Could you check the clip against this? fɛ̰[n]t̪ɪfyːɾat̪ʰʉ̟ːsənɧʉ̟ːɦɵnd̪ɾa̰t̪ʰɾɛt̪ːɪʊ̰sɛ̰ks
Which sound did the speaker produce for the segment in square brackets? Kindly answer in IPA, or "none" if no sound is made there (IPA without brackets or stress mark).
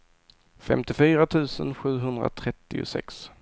m